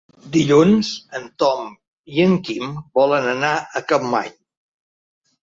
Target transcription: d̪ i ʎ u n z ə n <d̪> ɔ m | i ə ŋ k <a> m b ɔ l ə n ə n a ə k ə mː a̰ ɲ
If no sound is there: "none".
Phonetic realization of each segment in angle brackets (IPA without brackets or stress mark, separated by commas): t̪, i